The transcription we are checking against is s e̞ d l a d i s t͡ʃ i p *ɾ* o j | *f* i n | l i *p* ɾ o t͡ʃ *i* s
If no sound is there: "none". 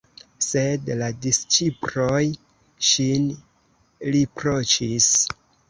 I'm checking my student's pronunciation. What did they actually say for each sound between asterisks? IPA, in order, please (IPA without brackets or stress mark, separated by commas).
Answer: ɾ, ʃ, p, i